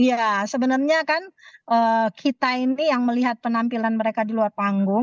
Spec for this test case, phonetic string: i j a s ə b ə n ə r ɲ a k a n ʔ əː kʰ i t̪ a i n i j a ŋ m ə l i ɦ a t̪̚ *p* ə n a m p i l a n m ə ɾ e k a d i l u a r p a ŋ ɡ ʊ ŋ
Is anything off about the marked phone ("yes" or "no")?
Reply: no